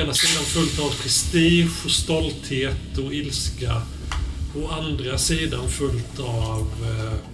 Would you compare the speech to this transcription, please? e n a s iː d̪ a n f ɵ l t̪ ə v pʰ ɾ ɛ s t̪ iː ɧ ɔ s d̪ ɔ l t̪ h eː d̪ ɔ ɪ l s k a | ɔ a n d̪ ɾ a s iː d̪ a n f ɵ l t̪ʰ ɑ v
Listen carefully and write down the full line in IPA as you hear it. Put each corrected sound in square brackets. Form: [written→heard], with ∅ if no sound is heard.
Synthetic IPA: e n a s iː d̪ a n f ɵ l t̪ [ə→a] v pʰ ɾ ɛ s t̪ iː ɧ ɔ s [d̪→t̪] ɔ l t̪ h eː [d̪→t̪] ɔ ɪ l s k a | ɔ a n d̪ ɾ a s iː d̪ a n f ɵ l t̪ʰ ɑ v